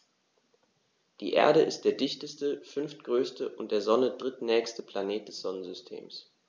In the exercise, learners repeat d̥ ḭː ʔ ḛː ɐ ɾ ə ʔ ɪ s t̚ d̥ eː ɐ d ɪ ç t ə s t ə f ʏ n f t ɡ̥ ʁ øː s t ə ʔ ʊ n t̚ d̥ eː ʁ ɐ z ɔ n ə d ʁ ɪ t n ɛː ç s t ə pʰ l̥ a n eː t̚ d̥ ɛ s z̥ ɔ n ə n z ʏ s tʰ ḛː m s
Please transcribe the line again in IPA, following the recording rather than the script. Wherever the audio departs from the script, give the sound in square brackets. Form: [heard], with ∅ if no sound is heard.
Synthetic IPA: d̥ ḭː ʔ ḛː ɐ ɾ ə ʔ ɪ s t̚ d̥ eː ɐ d ɪ ç t ə s t ə f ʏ n f t ɡ̥ ʁ øː s t ə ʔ ʊ n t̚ d̥ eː [∅] ɐ z ɔ n ə d ʁ ɪ t n ɛː ç s t ə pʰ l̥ a n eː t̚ d̥ ɛ s z̥ ɔ n ə n z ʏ s tʰ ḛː m s